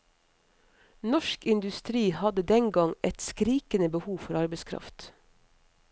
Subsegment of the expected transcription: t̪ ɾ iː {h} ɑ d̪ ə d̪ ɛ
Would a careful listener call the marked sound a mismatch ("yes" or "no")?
no